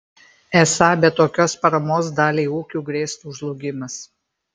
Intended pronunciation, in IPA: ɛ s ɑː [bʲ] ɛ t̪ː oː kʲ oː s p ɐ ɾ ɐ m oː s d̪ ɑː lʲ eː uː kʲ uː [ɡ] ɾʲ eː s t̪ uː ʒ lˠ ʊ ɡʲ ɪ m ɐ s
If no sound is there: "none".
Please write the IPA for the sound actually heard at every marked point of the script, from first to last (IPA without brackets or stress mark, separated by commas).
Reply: bʲ, ɡ